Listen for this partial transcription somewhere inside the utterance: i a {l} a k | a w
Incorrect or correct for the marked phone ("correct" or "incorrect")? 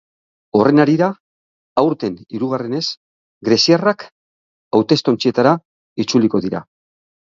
incorrect